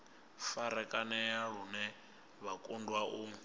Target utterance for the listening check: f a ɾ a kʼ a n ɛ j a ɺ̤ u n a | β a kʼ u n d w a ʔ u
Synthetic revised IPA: f a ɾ ɛ kʼ a n ɛ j a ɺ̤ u n ɛ | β a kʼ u n d w a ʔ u